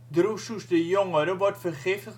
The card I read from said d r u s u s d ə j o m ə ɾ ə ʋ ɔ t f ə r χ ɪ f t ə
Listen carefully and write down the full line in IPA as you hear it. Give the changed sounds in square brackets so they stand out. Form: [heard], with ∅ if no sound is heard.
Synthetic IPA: d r u s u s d ə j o [ŋ] ə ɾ ə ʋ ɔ t f ə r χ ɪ f t ə